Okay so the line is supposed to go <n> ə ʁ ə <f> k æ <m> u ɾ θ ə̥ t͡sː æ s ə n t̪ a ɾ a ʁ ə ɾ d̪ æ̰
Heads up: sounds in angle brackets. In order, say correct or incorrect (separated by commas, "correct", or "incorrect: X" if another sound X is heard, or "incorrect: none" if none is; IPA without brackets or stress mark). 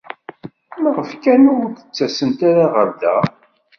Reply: incorrect: m, correct, incorrect: n